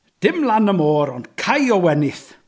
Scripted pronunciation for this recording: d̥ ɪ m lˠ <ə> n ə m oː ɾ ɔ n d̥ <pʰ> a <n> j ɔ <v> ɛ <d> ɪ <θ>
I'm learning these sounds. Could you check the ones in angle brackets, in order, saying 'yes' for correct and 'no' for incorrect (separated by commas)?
no, no, no, no, no, yes